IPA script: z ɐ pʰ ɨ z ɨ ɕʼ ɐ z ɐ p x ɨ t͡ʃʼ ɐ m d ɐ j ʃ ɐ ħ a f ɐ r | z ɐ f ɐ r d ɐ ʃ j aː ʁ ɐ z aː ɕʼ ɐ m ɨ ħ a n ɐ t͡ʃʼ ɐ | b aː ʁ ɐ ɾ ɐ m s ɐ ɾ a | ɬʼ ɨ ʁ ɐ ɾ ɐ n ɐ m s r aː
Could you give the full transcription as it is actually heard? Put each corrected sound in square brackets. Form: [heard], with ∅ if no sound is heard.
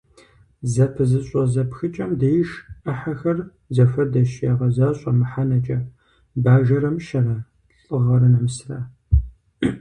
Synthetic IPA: z ɐ pʰ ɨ z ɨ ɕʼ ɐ z ɐ p x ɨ t͡ʃʼ ɐ m d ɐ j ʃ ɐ ħ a [x] ɐ r | z ɐ f ɐ r d ɐ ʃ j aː ʁ ɐ z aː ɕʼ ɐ m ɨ ħ a n ɐ t͡ʃʼ ɐ | b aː [ʒ] ɐ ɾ ɐ m [ʃ] ɐ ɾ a | ɬʼ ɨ ʁ ɐ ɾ ɐ n ɐ m s r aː